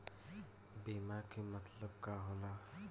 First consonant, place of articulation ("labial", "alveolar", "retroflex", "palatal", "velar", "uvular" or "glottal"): labial